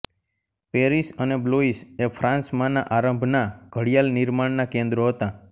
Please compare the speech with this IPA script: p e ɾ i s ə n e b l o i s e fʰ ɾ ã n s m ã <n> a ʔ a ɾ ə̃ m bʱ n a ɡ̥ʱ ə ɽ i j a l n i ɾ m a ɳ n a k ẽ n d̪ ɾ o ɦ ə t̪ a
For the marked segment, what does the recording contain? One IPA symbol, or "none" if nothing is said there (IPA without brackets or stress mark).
n